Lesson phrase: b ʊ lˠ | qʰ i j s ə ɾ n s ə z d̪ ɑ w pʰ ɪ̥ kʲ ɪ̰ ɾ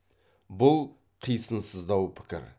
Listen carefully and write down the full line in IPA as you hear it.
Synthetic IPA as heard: b ʊ lˠ | qʰ i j s ə n s ə z d̪ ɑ w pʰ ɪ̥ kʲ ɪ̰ ɾ